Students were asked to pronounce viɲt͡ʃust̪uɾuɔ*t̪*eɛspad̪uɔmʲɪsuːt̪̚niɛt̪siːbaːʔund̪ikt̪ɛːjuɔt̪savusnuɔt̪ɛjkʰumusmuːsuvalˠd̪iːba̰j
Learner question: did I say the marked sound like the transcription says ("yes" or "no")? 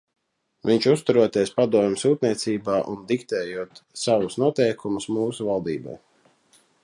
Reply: yes